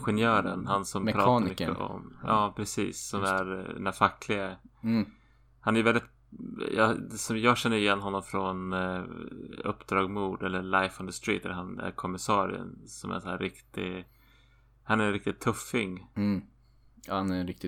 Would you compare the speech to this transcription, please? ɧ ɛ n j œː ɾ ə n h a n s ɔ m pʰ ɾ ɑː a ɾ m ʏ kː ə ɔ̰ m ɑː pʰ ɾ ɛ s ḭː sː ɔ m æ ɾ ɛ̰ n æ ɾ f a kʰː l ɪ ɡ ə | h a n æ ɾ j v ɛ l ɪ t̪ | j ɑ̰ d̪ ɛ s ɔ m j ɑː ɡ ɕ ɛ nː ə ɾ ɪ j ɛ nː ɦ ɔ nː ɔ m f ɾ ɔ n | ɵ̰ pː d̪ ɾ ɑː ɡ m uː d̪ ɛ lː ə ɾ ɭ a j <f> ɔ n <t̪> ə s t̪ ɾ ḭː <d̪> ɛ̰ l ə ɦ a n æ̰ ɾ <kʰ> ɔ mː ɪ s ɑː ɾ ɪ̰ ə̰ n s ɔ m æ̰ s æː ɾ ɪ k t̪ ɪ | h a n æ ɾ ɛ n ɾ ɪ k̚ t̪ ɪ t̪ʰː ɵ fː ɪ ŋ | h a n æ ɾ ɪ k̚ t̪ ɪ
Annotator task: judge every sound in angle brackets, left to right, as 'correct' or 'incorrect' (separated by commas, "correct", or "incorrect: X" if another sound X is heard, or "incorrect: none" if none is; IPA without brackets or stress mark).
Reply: correct, incorrect: d̪, incorrect: t̪, correct